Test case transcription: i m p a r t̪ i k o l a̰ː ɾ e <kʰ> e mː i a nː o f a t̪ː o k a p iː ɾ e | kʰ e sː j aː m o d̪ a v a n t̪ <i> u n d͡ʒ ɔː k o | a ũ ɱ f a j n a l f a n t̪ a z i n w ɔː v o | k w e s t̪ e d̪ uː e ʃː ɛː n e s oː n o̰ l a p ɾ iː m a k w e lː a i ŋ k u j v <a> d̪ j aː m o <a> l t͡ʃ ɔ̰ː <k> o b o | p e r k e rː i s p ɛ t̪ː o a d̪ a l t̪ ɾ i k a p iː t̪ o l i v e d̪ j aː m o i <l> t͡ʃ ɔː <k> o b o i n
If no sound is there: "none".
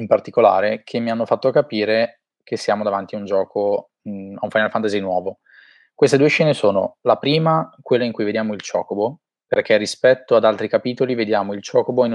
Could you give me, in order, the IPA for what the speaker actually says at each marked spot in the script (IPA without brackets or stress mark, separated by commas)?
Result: kʰ, i, e, i, k, l, k